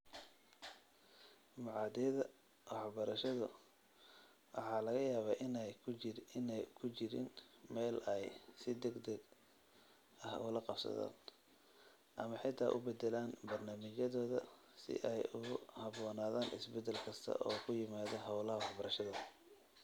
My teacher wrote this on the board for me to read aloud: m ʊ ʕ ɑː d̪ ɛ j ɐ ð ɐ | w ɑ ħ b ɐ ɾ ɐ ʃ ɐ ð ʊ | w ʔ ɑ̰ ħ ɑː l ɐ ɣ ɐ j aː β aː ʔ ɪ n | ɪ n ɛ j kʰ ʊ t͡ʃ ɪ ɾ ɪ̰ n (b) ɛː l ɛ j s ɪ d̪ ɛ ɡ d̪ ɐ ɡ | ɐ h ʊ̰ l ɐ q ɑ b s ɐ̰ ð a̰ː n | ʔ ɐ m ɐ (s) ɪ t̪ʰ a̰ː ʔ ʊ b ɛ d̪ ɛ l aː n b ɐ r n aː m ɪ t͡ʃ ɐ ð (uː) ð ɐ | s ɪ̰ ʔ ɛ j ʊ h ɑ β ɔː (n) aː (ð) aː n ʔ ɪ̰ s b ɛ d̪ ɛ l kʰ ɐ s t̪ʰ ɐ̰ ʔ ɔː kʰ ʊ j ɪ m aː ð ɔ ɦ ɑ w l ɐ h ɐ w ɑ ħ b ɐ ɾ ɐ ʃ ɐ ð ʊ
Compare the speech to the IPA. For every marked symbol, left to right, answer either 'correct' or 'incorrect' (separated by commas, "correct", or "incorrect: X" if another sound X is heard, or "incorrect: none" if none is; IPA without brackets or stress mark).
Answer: incorrect: m, incorrect: ħ, incorrect: ɔː, correct, correct